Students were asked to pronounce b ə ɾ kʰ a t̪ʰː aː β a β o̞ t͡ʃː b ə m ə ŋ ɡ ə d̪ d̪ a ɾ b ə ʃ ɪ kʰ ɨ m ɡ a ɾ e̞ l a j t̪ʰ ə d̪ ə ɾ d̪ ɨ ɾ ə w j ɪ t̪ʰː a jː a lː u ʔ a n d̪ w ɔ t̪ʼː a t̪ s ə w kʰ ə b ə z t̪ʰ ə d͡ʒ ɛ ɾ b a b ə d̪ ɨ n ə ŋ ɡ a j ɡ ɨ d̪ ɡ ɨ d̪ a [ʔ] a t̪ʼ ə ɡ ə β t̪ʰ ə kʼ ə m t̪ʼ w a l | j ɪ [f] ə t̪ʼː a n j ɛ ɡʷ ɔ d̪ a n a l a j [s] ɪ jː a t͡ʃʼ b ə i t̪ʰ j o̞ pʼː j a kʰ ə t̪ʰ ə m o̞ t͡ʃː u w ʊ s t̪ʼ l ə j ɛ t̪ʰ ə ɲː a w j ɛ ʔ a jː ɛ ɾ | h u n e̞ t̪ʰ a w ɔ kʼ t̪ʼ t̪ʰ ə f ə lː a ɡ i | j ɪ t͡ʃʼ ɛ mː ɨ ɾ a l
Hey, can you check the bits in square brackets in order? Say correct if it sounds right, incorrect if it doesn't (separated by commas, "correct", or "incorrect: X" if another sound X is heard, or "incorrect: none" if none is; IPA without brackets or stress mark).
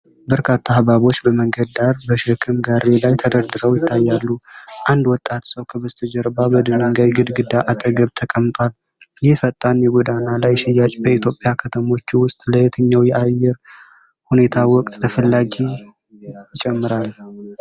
correct, correct, incorrect: ʃ